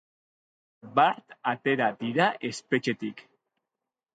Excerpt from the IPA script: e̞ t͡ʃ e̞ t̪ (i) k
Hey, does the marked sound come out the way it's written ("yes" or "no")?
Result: yes